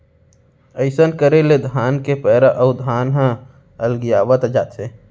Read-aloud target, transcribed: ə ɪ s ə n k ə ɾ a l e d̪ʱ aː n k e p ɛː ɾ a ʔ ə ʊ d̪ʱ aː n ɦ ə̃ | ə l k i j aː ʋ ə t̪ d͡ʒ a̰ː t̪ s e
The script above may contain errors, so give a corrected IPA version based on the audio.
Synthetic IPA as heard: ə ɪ s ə n k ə ɾ e l e d̪ʱ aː n k e p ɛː ɾ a ʔ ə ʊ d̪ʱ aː n ɦ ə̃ | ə l ɡ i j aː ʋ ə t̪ d͡ʒ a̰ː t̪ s e